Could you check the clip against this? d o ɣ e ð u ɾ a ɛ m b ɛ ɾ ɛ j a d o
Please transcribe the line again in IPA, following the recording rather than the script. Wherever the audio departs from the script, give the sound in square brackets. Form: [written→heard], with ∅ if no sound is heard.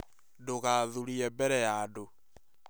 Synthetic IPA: d o ɣ [e→a] ð u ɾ [a→i] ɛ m b ɛ ɾ ɛ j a d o